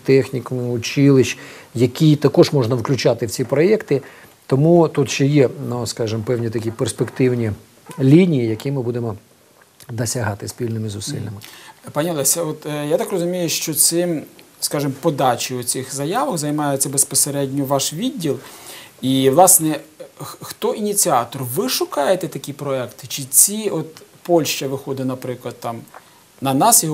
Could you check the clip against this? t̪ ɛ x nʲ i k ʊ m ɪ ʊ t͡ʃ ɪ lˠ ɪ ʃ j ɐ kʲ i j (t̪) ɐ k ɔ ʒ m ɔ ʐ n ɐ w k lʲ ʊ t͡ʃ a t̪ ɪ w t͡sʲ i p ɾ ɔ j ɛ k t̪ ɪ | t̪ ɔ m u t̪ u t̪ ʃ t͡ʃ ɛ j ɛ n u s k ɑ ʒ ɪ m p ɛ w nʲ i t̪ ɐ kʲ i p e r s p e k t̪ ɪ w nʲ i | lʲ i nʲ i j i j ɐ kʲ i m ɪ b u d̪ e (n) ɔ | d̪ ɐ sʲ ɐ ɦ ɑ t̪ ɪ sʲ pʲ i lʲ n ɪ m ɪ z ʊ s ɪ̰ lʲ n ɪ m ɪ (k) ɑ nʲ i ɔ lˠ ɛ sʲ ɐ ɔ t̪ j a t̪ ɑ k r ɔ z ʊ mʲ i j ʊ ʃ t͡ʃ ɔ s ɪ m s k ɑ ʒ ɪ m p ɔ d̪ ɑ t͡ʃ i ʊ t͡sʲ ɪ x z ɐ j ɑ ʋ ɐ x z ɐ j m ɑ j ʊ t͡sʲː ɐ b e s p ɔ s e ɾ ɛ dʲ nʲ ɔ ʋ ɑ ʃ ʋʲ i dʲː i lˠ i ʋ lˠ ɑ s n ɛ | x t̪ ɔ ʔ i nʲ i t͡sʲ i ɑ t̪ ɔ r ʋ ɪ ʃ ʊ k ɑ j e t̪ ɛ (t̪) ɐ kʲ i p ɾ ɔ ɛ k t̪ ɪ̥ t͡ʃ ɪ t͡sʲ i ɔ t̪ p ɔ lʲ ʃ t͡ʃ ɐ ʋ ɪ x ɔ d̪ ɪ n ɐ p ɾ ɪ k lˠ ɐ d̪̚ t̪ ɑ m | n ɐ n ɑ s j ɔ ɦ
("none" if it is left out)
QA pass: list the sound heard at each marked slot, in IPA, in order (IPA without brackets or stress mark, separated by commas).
t̪, m, p, t̪